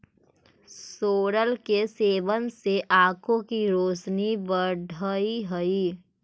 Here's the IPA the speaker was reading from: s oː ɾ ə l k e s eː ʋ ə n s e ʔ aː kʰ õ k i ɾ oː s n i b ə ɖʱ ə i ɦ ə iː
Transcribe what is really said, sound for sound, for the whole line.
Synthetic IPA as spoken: s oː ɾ ə l k e s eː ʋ ə n s e ʔ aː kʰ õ k i ɾ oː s n i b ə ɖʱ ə i ɦ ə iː